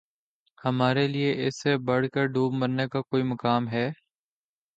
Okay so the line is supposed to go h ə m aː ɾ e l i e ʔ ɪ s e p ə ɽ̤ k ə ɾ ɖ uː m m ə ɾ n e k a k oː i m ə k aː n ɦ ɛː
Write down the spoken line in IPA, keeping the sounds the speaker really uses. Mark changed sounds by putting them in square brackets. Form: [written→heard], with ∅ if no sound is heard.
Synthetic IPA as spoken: h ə m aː ɾ e l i e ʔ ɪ s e [p→b] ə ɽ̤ k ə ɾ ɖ uː [m→b] m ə ɾ n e k a k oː i m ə k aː [n→m] ɦ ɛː

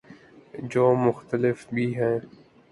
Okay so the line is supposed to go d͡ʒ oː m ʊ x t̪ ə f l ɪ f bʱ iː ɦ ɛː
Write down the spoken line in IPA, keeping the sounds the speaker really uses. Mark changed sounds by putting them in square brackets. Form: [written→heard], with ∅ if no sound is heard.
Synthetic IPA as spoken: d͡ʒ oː m ʊ x t̪ ə [f→∅] l ɪ f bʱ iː ɦ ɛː

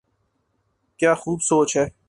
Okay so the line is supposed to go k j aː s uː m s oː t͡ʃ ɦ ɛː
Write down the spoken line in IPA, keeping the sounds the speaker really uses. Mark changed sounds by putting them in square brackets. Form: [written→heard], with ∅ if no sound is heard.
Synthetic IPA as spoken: k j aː [s→x] uː [m→b] s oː t͡ʃ ɦ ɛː

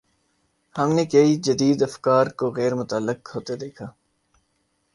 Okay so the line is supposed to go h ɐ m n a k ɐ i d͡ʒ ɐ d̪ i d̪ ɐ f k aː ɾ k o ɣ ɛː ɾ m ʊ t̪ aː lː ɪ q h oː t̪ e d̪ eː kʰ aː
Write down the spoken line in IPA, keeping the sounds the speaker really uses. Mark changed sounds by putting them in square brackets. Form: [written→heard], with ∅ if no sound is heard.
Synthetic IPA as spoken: h ɐ m n [a→e] k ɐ i d͡ʒ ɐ d̪ [i→iː] d̪ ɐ f k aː ɾ k o ɣ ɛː ɾ m ʊ t̪ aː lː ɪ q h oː t̪ e d̪ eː kʰ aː

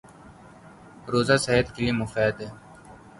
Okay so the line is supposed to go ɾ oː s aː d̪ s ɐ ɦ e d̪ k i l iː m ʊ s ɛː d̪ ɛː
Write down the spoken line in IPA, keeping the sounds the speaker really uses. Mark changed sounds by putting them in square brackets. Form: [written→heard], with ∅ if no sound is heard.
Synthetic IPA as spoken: ɾ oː [s→z] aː [d̪→∅] s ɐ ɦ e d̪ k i l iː m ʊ [s→f] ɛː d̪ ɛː

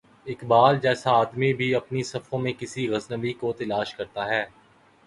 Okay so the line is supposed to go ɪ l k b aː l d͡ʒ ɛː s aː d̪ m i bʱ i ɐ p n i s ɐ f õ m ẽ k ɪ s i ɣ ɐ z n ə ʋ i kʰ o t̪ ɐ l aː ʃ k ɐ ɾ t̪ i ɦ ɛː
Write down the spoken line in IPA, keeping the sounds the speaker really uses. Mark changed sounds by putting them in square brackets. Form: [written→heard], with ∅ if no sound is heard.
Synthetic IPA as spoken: ɪ [l→∅] k b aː l d͡ʒ ɛː s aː d̪ m i bʱ i ɐ p n i s ɐ f õ m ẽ k ɪ s i ɣ ɐ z n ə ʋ i [kʰ→k] o t̪ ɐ l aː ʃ k ɐ ɾ t̪ [i→a] ɦ ɛː

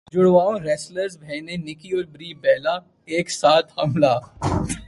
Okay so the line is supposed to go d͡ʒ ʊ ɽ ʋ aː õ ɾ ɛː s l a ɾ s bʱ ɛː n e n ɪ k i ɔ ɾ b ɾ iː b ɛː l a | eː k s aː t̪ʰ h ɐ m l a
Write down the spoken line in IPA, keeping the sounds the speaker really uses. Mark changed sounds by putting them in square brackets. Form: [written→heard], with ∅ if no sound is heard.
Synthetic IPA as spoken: d͡ʒ ʊ ɽ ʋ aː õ ɾ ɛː s l [a→ə] ɾ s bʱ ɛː n e n ɪ k i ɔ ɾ b ɾ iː b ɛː l a | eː k s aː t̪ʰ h ɐ m l a

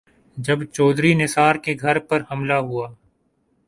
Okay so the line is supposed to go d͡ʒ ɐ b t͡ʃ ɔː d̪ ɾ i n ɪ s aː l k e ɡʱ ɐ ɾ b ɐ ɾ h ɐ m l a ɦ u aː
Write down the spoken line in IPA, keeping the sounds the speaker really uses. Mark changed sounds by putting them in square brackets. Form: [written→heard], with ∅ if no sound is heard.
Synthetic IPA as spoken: d͡ʒ ɐ b t͡ʃ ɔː d̪ ɾ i n ɪ s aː [l→ɾ] k e ɡʱ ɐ ɾ [b→p] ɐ ɾ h ɐ m l a ɦ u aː

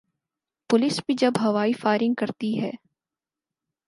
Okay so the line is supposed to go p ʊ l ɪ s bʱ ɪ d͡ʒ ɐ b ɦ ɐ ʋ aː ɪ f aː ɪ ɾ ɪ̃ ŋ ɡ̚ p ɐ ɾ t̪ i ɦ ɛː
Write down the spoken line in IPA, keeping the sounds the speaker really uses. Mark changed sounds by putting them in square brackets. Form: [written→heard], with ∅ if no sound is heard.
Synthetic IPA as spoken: p ʊ l ɪ s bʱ [ɪ→i] d͡ʒ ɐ b ɦ ɐ ʋ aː [ɪ→i] f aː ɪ ɾ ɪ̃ ŋ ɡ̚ [p→k] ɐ ɾ t̪ i ɦ ɛː

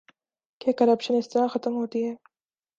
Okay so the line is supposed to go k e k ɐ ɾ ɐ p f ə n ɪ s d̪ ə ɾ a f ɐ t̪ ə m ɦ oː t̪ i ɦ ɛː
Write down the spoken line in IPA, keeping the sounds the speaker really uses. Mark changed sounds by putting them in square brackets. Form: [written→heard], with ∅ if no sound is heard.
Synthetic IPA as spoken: k e k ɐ ɾ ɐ p [f→ʃ] ə n ɪ s [d̪→t̪] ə ɾ a [f→x] ɐ t̪ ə m ɦ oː t̪ i ɦ ɛː

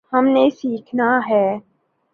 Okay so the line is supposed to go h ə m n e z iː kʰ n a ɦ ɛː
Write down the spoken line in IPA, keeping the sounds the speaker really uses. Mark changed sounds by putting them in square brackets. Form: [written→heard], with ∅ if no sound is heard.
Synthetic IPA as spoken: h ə m n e [z→s] iː kʰ n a ɦ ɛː

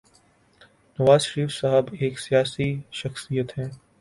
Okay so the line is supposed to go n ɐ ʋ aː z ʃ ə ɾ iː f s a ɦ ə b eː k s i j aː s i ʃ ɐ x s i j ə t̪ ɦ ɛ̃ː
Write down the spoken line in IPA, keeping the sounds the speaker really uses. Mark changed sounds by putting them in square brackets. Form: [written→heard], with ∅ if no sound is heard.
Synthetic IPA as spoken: n ɐ ʋ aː z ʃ ə ɾ iː f s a ɦ ə b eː k s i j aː s i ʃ ɐ x s i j ə t̪ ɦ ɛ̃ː

